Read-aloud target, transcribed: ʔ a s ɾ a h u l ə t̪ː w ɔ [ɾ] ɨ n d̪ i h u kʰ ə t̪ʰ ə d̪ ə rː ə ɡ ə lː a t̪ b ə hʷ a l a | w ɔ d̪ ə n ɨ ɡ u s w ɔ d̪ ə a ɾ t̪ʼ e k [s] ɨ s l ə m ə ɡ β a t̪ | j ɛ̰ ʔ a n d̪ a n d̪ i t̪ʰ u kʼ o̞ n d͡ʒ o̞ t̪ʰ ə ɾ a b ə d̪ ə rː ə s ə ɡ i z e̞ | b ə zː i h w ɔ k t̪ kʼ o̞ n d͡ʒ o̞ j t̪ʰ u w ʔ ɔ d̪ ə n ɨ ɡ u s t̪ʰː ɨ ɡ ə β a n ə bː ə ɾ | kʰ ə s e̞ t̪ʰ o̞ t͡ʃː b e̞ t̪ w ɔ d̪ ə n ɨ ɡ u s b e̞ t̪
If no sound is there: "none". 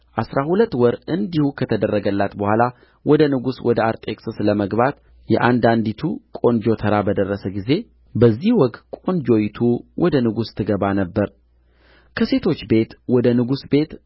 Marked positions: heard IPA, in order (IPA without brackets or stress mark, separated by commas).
ɾ, s